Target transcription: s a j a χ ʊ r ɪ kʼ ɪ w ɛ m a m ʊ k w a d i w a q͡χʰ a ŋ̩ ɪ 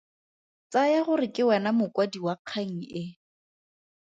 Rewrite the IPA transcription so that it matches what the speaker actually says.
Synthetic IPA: t͡s a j a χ ʊ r ɪ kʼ ɪ w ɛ n a m ʊ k w a d i w a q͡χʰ a ŋ̩ ɪ

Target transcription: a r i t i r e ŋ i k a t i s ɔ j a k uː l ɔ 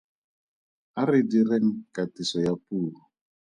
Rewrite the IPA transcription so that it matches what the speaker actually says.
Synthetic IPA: a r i d i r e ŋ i k a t i s ɔ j a p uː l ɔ

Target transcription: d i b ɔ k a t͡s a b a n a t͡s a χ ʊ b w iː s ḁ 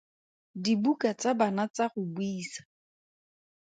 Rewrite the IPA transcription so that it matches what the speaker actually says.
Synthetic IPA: d i b u k a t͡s a b a n a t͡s a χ ʊ b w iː s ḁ

